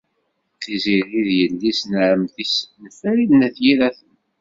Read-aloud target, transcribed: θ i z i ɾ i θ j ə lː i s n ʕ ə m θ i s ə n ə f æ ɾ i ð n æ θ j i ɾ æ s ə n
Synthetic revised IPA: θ i z i ɾ i ð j ə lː i s n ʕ ə m θ i s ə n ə f æ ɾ i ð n æ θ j i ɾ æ θ ə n